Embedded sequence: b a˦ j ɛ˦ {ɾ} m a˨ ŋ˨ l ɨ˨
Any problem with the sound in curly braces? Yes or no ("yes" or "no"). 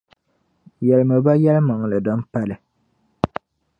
yes